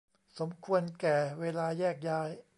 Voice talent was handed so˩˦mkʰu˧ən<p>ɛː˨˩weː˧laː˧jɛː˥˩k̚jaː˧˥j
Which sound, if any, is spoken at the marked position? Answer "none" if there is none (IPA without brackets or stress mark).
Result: k